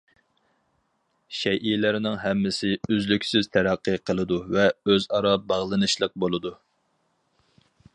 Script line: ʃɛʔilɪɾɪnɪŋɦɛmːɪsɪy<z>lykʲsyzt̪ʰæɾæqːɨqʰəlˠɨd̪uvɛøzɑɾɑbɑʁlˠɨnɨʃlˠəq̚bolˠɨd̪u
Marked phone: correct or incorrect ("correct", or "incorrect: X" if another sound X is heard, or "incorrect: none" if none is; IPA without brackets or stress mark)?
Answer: correct